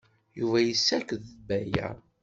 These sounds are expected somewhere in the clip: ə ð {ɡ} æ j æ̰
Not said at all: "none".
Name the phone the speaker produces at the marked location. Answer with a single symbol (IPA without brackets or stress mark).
b